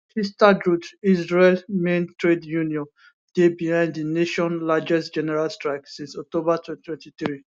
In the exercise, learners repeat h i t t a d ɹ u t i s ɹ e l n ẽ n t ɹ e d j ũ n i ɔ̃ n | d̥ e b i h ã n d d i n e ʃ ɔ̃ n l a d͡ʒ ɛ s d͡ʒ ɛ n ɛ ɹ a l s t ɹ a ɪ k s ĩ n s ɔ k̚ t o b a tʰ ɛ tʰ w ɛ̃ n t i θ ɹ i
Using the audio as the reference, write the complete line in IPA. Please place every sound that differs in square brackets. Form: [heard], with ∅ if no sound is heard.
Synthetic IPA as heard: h i [s] t a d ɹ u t i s ɹ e l [m] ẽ n t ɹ e d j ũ n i ɔ̃ n | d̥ e b i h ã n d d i n e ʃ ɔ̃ n l a d͡ʒ ɛ s d͡ʒ ɛ n ɛ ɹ a l s t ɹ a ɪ k s ĩ n s ɔ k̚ t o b a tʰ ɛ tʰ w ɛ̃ n t i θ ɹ i